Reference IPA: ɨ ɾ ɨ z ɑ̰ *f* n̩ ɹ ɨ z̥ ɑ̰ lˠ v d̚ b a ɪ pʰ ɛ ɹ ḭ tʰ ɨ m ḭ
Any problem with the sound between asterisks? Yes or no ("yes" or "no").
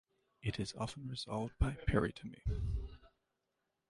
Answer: no